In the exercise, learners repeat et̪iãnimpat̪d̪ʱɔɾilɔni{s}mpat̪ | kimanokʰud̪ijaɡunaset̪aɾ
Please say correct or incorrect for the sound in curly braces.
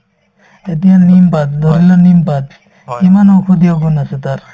incorrect